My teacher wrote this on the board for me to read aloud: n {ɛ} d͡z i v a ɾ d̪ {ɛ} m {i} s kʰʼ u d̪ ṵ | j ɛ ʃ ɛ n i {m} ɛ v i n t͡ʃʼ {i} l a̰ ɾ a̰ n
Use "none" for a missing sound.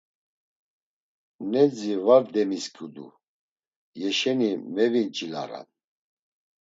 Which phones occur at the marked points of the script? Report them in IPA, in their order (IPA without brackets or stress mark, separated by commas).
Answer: ɛ, ɛ, i, m, i